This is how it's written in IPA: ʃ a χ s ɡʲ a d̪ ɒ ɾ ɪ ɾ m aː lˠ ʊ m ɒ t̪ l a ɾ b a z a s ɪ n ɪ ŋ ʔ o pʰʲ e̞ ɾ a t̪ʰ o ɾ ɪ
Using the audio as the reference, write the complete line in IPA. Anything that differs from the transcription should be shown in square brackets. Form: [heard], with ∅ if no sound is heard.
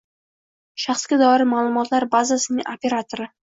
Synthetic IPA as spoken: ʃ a χ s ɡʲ a d̪ ɒ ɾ ɪ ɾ m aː lˠ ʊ m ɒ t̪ l a ɾ b a z a s ɪ n ɪ ŋ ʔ o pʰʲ e̞ ɾ a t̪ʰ o ɾ ɪ